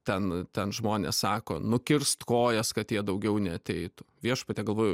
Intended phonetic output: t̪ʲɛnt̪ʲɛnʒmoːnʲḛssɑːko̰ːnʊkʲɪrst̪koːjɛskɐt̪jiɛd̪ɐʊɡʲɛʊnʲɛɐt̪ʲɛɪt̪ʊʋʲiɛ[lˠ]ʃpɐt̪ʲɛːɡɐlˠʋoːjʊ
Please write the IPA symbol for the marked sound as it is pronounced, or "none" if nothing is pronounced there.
none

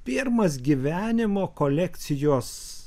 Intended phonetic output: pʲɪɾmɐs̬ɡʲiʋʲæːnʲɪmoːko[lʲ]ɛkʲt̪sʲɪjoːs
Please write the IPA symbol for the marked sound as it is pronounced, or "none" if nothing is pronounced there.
lʲ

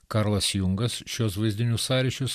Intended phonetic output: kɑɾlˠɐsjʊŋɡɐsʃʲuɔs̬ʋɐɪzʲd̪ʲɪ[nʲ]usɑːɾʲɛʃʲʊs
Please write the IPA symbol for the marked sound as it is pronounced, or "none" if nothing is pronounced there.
nʲ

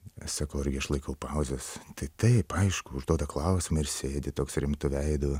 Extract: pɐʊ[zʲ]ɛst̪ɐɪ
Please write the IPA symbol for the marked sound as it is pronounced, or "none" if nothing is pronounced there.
zʲ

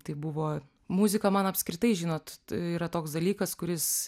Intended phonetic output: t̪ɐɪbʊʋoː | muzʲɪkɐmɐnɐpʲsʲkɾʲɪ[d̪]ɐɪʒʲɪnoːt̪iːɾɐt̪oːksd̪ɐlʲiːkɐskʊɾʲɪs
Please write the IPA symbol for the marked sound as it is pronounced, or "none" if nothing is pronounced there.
t̪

